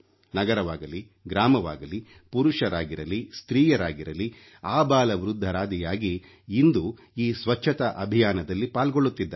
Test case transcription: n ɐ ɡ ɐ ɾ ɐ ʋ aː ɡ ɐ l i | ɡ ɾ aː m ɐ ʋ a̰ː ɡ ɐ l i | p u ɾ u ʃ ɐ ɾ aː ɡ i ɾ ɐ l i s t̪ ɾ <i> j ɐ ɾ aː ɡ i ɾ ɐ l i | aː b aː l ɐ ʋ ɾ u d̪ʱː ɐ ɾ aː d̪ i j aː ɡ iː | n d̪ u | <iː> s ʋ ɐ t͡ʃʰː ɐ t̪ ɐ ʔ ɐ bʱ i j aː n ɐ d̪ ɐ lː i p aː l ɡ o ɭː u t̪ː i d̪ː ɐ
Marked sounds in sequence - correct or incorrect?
incorrect: iː, correct

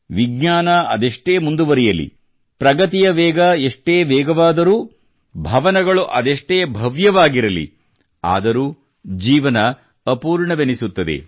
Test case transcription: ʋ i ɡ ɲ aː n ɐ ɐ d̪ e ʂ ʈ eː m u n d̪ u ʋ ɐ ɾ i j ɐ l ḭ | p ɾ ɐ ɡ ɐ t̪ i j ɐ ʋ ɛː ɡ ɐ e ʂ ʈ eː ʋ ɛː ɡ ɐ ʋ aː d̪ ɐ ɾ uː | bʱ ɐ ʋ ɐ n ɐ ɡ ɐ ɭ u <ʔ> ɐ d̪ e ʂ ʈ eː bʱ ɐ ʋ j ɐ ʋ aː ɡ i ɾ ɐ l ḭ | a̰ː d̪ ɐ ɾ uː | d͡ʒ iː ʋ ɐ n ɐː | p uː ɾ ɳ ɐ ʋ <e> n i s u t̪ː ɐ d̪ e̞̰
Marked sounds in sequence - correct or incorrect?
correct, correct

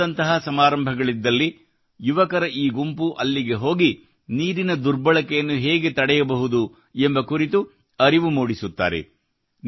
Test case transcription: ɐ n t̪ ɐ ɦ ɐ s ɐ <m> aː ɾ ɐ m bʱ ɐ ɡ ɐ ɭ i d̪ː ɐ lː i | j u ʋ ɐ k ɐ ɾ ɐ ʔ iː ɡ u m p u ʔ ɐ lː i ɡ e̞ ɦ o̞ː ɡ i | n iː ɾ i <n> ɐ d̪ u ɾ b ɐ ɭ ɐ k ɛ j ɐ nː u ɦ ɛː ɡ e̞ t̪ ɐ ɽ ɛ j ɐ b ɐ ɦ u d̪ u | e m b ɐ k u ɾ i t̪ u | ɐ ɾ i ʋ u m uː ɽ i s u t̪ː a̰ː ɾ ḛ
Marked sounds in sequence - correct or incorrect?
correct, correct

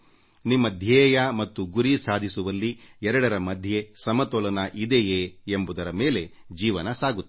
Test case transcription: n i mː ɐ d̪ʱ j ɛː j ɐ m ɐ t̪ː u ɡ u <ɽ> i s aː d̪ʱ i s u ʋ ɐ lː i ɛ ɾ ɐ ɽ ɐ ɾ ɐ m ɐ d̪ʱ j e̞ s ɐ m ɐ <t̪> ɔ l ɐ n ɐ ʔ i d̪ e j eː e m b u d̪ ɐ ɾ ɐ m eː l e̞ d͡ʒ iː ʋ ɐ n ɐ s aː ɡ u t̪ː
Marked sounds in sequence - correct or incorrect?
incorrect: ɾ, correct

